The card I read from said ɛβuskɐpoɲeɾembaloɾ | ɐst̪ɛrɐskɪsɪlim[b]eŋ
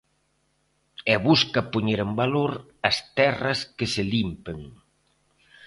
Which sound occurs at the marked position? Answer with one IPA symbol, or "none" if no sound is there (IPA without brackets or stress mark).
p